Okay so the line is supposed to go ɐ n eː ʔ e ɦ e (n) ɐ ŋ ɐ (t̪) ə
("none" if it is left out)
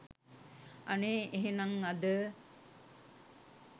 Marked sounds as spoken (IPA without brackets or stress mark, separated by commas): n, d̪